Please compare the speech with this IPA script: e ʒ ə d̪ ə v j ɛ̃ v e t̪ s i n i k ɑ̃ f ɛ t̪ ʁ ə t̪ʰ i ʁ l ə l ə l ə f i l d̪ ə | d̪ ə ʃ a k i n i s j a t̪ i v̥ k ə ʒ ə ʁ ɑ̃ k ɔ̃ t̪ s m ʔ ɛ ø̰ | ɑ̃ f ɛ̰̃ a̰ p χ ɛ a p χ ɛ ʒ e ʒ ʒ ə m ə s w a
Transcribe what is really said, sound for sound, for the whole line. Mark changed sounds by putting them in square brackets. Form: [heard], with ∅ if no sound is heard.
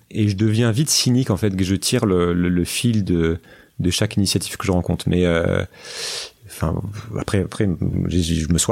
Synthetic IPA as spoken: e ʒ ə d̪ ə v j ɛ̃ v [i] t̪ s i n i k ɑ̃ f ɛ t̪ [ʒ] ə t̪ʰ i ʁ l ə l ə l ə f i l d̪ ə | d̪ ə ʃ a k i n i s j a t̪ i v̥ k ə ʒ ə ʁ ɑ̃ k ɔ̃ t̪ [χ] m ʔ ɛ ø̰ | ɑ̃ f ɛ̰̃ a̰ p χ ɛ a p χ ɛ ʒ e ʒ ʒ ə m ə s w a